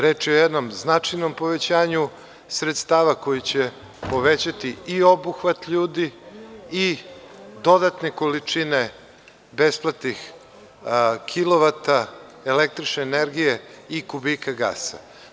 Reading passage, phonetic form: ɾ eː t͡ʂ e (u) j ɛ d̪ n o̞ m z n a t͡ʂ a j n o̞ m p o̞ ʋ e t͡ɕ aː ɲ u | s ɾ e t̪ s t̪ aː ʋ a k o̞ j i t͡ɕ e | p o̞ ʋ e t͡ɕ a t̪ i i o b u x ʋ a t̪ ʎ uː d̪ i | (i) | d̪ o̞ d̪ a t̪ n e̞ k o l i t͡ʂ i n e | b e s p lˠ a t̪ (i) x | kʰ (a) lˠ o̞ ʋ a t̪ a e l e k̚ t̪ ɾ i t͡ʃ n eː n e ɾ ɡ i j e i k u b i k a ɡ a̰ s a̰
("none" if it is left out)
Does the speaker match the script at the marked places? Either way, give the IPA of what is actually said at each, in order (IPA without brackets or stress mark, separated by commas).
o, i, i, i